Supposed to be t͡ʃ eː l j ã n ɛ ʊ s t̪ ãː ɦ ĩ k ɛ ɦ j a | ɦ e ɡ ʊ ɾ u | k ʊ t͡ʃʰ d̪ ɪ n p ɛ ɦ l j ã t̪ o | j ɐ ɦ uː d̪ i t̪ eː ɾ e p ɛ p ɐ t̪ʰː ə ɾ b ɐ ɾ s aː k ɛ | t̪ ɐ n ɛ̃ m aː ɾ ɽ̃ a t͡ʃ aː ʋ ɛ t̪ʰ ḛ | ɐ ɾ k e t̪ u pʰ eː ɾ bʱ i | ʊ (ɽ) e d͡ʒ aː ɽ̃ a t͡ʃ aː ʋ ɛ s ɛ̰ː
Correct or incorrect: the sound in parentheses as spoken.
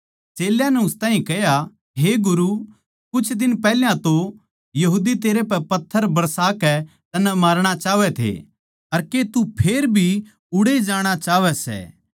correct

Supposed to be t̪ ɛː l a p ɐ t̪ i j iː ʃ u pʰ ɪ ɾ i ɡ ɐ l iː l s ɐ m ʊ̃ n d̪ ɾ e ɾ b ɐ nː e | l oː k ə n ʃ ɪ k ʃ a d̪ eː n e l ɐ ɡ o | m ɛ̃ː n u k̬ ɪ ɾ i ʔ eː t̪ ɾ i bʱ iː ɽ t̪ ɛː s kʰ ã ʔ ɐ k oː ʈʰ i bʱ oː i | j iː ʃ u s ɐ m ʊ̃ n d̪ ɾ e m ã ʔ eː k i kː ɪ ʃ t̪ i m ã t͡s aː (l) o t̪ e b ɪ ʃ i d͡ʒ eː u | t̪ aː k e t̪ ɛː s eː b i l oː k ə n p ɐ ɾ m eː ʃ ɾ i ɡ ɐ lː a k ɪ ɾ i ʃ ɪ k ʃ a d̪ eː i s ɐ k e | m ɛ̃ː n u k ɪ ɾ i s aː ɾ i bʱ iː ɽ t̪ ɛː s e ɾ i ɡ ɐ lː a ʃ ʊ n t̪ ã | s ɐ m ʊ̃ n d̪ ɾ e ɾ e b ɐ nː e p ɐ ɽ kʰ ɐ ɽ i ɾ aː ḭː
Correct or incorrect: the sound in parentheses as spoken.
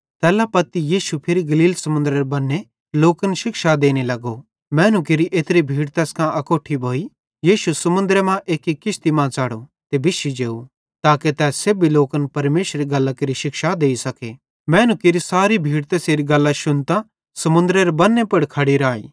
incorrect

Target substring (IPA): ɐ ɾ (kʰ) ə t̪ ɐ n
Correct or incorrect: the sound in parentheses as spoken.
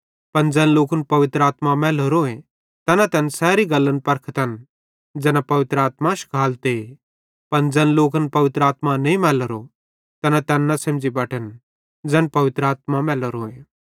correct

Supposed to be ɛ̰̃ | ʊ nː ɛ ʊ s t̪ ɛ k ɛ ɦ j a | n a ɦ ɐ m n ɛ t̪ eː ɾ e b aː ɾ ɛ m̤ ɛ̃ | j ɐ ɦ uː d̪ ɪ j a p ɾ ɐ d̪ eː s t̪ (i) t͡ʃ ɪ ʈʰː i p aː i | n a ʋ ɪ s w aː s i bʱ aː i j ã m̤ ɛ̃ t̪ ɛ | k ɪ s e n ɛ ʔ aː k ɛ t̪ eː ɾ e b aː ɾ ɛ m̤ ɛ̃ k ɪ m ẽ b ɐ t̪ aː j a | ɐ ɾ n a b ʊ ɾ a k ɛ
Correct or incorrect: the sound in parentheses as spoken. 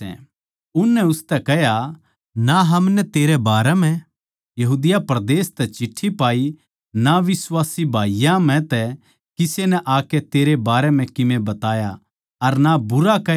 incorrect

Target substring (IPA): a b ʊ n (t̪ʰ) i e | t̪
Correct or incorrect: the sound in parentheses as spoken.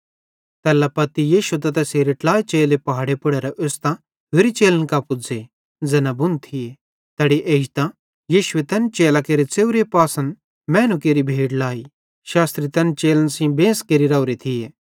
correct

